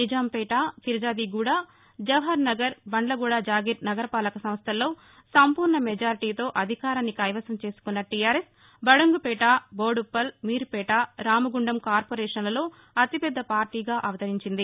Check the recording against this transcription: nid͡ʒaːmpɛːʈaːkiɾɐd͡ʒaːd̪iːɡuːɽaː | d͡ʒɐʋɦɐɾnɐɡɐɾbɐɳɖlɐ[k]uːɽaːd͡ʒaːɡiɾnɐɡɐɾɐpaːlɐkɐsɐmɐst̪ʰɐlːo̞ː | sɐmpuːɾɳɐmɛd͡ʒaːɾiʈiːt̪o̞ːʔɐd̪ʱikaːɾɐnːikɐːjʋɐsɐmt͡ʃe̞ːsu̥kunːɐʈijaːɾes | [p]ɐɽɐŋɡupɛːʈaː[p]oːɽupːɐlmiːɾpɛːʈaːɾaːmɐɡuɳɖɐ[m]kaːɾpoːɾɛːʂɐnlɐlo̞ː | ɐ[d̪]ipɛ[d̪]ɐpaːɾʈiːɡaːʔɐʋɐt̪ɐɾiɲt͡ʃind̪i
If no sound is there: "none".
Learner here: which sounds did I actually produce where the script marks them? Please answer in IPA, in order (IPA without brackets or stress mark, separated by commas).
ɡ, b, b, m, t̪, d̪ː